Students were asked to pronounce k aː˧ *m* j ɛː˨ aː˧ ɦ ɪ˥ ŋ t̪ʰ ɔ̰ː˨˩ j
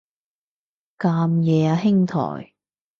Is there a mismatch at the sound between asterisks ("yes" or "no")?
no